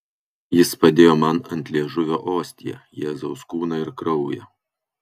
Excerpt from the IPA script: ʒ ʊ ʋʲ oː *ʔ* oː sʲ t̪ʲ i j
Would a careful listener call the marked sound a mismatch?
no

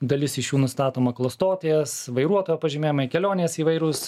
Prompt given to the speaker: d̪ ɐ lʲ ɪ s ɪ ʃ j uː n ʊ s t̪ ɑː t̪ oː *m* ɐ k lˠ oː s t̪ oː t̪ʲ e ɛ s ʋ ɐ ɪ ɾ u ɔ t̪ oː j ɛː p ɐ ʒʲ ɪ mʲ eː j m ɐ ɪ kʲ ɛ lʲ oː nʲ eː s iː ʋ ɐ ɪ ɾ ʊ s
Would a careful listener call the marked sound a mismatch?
no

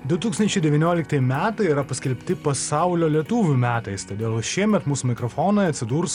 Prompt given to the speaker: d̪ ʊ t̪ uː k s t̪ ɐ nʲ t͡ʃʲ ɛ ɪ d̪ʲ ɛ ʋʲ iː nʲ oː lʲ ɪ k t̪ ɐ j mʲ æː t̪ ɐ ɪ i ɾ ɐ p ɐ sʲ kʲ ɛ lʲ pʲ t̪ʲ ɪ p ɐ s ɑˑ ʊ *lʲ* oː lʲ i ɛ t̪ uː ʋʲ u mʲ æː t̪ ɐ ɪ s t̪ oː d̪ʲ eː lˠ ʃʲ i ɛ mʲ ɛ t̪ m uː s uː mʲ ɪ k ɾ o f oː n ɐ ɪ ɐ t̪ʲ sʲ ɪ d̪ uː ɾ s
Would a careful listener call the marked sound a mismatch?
no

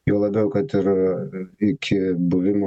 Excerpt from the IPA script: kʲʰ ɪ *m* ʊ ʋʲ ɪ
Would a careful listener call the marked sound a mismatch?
yes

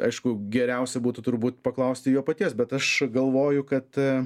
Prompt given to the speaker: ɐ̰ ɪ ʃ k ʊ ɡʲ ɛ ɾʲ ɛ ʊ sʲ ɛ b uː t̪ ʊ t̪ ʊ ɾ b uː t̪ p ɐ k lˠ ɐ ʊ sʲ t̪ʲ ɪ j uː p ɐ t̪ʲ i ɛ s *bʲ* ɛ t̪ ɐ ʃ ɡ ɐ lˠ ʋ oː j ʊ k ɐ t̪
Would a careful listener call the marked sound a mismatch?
no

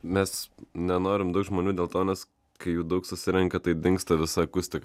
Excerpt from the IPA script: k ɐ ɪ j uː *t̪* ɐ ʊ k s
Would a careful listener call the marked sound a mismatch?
yes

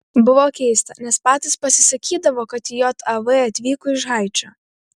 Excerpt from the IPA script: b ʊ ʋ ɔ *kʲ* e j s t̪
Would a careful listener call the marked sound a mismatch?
no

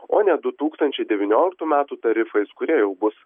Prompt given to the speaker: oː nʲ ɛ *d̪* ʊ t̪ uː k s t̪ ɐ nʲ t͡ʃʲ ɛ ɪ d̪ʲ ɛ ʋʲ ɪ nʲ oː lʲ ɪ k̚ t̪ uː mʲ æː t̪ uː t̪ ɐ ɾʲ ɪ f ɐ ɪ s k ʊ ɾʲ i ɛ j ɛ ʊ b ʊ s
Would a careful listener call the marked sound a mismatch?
no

